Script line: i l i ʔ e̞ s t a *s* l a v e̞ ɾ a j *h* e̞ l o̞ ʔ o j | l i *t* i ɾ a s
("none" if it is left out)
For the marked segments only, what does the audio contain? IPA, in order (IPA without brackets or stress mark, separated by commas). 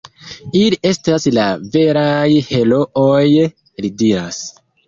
s, h, d